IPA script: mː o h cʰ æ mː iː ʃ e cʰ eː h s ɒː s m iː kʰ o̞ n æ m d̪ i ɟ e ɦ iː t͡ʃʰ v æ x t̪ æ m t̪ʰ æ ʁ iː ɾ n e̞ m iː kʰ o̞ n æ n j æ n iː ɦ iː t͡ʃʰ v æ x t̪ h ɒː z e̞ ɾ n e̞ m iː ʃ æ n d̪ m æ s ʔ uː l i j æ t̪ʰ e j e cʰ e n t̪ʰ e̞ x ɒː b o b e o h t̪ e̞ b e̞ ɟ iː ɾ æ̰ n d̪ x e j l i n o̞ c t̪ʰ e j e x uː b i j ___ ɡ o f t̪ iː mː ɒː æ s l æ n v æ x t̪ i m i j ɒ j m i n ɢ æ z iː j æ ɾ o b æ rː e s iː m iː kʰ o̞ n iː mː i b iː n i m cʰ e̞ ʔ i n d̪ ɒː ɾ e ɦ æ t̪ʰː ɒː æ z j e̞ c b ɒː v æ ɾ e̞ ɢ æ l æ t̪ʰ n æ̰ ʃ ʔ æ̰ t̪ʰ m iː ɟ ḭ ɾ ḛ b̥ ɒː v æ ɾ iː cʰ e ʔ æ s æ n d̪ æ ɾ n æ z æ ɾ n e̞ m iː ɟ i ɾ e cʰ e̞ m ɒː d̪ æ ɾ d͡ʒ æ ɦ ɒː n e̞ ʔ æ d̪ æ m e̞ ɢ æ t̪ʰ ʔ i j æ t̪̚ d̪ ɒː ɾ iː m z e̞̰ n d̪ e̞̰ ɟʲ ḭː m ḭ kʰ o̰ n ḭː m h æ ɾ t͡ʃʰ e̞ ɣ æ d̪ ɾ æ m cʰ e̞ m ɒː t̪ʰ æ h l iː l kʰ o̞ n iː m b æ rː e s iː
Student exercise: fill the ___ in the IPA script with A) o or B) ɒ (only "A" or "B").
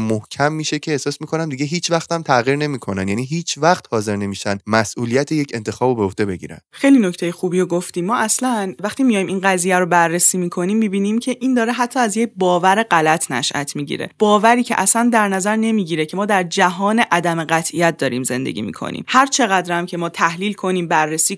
A